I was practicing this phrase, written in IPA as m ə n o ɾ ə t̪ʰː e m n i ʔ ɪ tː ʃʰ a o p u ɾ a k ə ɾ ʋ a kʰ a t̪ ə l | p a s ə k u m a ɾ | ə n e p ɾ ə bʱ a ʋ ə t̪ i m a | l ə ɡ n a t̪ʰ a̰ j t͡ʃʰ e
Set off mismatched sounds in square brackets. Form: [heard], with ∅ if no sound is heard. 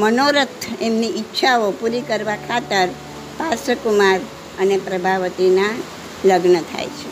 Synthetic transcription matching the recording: m ə n o ɾ ə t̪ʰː e m n i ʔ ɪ tː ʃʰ a o p u ɾ [i] k ə ɾ ʋ a kʰ a t̪ ə [ɾ] | p a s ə k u m a ɾ | ə n e p ɾ ə bʱ a ʋ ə t̪ i [n] a | l ə ɡ n [ə] t̪ʰ a̰ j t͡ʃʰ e